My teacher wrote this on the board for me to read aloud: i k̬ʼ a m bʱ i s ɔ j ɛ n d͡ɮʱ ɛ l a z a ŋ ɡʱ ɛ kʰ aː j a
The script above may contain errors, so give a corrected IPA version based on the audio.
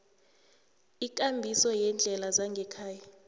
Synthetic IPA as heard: i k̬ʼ a m bʱ i s ɔ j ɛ n d͡ɮʱ ɛ l a z a ŋ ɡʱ ɛ kʰ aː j a